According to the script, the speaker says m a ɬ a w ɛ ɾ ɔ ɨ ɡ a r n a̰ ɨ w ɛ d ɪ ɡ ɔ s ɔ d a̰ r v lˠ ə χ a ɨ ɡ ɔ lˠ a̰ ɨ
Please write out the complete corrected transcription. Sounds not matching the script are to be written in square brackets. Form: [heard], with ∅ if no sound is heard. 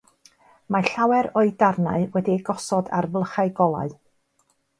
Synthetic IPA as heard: m a ɬ a w ɛ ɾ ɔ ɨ [d] a r n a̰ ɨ w ɛ d [i] ɡ ɔ s ɔ d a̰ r v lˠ ə χ a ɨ ɡ ɔ lˠ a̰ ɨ

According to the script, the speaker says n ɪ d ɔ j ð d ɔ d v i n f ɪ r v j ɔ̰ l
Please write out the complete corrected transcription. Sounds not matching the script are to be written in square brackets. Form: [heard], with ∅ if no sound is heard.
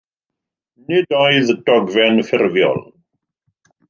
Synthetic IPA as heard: n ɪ d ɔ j ð d ɔ [ɡ] v [ɛ] n f ɪ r v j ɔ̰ l

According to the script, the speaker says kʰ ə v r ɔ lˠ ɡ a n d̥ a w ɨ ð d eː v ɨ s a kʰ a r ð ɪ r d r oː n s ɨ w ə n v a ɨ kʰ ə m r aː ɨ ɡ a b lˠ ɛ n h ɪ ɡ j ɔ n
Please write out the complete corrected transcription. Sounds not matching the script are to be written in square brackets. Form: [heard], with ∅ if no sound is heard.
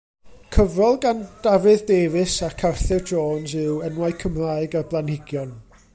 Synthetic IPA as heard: kʰ ə v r ɔ lˠ ɡ a n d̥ a [v] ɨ ð d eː v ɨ s a kʰ a r [θ] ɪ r d r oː n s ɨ w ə n [w] a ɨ kʰ ə m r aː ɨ ɡ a b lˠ [a] n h ɪ ɡ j ɔ n

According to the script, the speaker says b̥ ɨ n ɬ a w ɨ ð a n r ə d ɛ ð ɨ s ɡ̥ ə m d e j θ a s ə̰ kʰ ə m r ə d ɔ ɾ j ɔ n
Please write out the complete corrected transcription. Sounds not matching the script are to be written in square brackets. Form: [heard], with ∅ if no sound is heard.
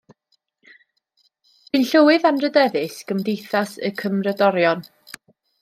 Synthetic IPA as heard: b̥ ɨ n ɬ [ə] w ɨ ð a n r ə d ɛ ð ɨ s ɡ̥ ə m d e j θ a s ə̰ kʰ ə m r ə d ɔ ɾ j ɔ n

